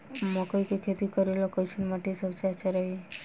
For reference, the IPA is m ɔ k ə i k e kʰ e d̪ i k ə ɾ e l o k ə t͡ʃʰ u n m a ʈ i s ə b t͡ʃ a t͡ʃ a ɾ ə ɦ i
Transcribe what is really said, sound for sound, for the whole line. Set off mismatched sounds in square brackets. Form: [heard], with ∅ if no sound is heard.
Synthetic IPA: m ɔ k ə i k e kʰ e [t̪] i k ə ɾ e l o k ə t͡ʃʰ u n m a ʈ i s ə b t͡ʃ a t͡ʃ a ɾ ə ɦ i